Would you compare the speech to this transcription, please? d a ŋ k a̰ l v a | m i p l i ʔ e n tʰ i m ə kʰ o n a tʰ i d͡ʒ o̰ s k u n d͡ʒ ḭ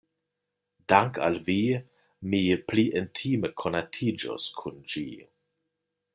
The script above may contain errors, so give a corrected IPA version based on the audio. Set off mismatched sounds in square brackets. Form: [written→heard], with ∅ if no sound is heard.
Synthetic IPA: d a ŋ k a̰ l v [a→i] | m i p l i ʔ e n tʰ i m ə kʰ o n a tʰ i d͡ʒ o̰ s [k→kʰ] u n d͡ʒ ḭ